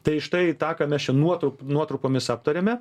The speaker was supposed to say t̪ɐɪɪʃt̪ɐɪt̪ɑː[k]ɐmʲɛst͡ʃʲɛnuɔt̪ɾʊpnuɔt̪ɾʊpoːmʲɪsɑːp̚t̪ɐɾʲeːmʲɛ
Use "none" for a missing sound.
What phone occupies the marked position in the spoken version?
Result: k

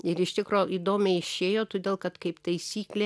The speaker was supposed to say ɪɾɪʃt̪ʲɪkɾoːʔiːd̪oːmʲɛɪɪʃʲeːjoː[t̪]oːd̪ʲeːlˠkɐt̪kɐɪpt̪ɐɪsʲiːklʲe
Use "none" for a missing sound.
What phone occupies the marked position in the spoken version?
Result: t̪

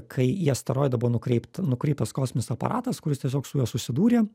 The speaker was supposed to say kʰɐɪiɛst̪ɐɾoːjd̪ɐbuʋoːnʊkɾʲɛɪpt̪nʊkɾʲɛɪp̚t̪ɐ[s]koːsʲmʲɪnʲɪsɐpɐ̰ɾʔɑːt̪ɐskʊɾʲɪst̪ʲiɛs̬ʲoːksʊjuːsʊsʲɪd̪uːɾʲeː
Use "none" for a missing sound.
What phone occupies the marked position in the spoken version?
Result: s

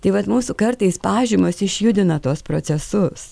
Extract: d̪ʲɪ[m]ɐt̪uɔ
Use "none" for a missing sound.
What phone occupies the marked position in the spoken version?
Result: n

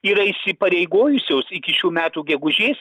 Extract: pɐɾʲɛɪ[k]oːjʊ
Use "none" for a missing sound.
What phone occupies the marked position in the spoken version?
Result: ɡ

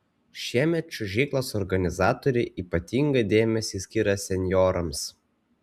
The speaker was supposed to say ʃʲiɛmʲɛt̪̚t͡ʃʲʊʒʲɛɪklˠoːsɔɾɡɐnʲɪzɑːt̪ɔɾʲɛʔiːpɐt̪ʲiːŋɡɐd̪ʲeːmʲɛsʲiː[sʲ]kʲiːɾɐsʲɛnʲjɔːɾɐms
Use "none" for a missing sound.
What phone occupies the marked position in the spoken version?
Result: sʲ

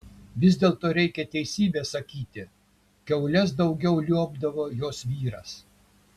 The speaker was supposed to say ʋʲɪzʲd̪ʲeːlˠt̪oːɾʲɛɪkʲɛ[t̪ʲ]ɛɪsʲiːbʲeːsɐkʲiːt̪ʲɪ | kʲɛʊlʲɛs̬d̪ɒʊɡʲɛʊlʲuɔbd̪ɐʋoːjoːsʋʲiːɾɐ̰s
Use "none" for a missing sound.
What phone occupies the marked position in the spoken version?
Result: t̪ʲ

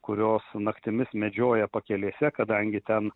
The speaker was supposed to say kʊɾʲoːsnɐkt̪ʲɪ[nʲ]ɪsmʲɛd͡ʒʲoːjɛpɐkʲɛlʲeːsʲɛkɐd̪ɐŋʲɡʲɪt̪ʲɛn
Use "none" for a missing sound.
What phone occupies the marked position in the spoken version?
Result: mʲ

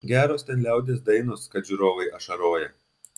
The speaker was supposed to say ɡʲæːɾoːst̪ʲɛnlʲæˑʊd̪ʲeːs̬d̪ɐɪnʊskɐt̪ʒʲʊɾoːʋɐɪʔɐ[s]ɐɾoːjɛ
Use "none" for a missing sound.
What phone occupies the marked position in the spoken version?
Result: ʃ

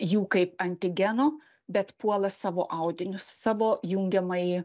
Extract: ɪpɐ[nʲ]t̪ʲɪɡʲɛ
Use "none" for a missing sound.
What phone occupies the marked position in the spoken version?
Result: nʲ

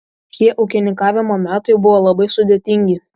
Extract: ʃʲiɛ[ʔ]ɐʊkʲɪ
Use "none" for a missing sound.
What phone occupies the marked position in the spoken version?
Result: ʔ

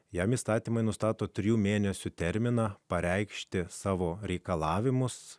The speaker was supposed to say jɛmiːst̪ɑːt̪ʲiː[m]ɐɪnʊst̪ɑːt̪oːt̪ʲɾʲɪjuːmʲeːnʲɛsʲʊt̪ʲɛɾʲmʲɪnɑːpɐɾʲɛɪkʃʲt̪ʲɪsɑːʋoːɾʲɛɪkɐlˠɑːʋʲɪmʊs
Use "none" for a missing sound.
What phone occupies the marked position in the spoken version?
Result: m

